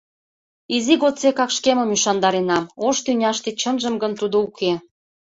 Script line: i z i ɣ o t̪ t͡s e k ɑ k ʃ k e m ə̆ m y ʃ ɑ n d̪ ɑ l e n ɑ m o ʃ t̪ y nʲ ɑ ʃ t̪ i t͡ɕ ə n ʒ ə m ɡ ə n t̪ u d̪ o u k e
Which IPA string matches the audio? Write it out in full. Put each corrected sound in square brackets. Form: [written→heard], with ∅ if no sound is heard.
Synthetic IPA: i z i ɣ o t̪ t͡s e k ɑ k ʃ k e m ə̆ m y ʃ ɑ n d̪ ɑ [l→ɾ] e n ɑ m o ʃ t̪ y nʲ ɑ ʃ t̪ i t͡ɕ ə n ʒ ə m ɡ ə n t̪ u d̪ o u k e